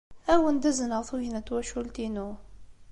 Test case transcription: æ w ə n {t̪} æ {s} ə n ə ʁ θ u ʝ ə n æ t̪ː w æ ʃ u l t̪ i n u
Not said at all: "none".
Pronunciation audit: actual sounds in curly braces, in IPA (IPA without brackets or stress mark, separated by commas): d̪, z